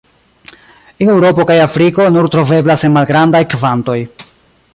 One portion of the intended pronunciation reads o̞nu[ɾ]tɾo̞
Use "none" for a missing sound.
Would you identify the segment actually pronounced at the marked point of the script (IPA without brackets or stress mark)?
ɾ